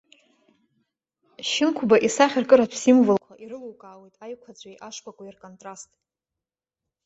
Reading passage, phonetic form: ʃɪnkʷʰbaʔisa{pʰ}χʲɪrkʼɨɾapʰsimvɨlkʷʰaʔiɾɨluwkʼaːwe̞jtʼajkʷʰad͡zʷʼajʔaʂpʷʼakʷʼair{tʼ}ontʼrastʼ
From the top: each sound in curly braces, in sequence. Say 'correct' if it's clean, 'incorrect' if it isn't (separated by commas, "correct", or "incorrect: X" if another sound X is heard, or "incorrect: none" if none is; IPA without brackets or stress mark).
incorrect: none, incorrect: kʼ